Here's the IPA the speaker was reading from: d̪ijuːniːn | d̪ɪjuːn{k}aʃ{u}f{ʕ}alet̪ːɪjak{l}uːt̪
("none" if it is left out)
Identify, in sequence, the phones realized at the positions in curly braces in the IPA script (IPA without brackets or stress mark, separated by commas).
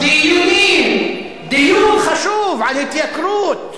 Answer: x, uː, ʕ, ɾ